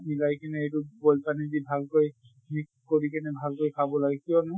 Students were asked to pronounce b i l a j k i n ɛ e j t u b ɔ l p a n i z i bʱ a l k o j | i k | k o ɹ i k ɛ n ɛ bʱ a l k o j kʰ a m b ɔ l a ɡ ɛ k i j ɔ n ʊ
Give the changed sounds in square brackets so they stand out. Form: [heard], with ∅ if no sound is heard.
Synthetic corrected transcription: [m] i l a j k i n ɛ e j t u b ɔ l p a n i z i bʱ a l k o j | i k | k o ɹ i k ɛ n ɛ bʱ a l k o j kʰ a [∅] b ɔ l a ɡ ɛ k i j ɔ n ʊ